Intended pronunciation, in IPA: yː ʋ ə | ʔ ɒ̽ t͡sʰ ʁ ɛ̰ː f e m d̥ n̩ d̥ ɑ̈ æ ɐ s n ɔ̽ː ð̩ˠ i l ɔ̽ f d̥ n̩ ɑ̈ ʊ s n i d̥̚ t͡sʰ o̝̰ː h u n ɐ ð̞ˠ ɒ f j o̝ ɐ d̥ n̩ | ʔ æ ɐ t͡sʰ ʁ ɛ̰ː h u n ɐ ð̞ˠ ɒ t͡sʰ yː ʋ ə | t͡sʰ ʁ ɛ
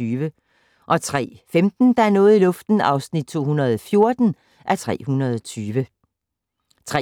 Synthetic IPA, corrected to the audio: yː ʋ ə | ʔ ɒ̽ t͡sʰ ʁ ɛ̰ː f e m d̥ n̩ d̥ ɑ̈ æ ɐ n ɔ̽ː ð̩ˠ i l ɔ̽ f d̥ n̩ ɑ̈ ʊ s n i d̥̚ t͡sʰ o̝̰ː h u n ɐ ð̞ˠ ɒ f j o̝ ɐ d̥ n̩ | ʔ æ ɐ t͡sʰ ʁ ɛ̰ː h u n ɐ ð̞ˠ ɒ t͡sʰ yː ʋ ə | t͡sʰ ʁ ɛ